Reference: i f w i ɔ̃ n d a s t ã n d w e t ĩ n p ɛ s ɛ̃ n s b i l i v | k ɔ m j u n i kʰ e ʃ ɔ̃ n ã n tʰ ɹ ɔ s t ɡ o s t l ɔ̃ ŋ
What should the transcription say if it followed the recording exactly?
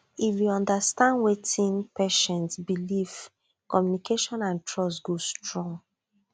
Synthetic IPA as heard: i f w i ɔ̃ n d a s t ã n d w e t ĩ n p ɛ ʃ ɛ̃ n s b i l i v | k ɔ m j u n i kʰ e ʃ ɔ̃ n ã n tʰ ɹ ɔ s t ɡ o s t ɹ ɔ̃ ŋ